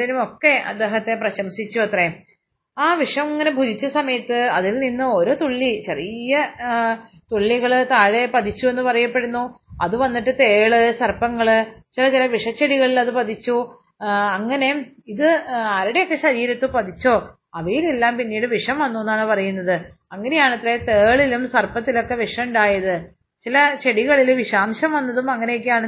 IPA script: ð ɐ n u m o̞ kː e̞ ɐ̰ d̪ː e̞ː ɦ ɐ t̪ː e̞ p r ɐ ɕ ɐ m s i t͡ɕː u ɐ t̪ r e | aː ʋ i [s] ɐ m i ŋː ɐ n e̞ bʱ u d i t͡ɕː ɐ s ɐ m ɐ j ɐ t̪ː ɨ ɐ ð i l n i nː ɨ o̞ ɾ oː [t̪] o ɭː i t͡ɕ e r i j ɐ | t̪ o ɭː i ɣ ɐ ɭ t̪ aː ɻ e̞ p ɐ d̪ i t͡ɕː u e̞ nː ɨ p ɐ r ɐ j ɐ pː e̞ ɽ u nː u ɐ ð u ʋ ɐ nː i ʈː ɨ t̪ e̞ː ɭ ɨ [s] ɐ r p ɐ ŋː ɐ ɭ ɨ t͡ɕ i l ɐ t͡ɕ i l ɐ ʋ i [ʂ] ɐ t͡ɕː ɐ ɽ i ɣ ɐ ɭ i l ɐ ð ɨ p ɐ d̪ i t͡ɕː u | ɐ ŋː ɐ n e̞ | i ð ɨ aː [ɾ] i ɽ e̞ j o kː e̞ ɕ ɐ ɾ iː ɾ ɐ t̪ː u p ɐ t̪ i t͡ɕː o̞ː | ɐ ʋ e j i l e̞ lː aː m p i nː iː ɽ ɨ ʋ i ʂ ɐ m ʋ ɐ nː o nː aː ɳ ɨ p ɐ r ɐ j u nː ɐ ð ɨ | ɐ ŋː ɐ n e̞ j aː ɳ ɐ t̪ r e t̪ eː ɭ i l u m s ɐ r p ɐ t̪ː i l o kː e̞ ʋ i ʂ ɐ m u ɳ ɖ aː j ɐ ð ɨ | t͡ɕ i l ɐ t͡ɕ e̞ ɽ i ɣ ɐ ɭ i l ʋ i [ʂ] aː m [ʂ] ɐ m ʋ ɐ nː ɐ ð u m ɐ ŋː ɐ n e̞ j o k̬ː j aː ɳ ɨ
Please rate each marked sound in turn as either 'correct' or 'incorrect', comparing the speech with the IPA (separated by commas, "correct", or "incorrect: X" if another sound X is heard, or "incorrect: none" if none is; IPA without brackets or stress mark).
incorrect: ʂ, correct, correct, correct, correct, correct, incorrect: ɕ